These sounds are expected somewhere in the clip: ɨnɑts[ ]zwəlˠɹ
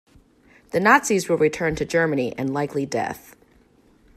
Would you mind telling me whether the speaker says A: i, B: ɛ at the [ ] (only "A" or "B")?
A